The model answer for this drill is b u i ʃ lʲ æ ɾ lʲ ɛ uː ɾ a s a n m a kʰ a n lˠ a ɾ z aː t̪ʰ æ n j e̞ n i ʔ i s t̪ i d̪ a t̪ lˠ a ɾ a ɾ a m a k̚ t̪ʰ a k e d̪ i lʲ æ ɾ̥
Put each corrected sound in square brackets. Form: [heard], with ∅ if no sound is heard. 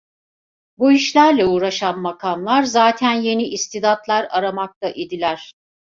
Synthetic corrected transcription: b u i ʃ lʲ æ ɾ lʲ ɛ uː ɾ a [ʃ] a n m a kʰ a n lˠ a ɾ z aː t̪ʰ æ n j e̞ n i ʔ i s t̪ i d̪ a t̪ lˠ a ɾ a ɾ a m a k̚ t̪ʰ a [ʔ] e d̪ i lʲ æ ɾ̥